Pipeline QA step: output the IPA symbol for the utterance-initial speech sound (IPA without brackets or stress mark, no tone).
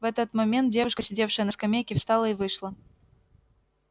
v